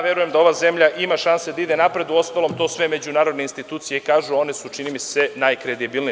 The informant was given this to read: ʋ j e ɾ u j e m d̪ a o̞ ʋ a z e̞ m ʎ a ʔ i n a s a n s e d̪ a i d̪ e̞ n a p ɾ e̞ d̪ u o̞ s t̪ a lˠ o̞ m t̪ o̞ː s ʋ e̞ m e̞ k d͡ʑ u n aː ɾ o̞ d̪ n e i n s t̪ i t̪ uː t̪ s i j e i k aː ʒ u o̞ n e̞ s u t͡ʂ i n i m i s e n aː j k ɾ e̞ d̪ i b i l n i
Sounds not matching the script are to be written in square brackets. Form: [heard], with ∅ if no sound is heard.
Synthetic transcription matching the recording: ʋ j e ɾ u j e m d̪ a o̞ ʋ a z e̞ m ʎ a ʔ i [m] a [ʃ] a n s e d̪ a i d̪ e̞ n a p ɾ e̞ d̪ u o̞ s t̪ a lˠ o̞ m t̪ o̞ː s ʋ e̞ m e̞ [∅] d͡ʑ u n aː ɾ o̞ d̪ n e i n s t̪ i t̪ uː t̪ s i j e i k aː ʒ u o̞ n e̞ s u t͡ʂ i n i m i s e n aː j k ɾ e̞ d̪ i b i l n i

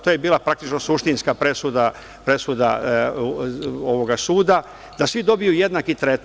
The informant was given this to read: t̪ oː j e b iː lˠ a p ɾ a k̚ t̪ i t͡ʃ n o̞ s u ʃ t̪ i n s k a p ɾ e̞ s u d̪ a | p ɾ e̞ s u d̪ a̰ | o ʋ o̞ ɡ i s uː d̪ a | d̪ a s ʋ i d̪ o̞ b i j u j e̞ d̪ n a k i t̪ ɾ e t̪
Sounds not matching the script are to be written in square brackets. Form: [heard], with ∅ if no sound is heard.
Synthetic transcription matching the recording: t̪ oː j e b iː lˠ a p ɾ a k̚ t̪ i t͡ʃ n o̞ s u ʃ t̪ i n s k a p ɾ e̞ s u d̪ a | p ɾ e̞ s u d̪ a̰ | o ʋ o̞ ɡ [a] s uː d̪ a | d̪ a s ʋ i d̪ o̞ b i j u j e̞ d̪ n a k i t̪ ɾ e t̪

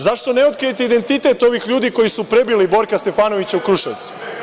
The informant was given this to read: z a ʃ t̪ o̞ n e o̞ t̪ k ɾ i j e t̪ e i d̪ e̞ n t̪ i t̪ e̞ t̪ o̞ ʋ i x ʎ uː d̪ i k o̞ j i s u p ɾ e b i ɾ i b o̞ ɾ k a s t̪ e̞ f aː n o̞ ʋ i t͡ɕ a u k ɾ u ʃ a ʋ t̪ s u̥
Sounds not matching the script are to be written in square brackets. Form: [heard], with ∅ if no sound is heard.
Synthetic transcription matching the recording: z a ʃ t̪ o̞ n e o̞ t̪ k ɾ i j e t̪ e i d̪ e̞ n t̪ i t̪ e̞ t̪ o̞ ʋ i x ʎ uː d̪ i k o̞ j i s u p ɾ e b i [l] i b o̞ ɾ k a s t̪ e̞ f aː n o̞ ʋ i t͡ɕ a u k ɾ u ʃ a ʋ t̪ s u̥

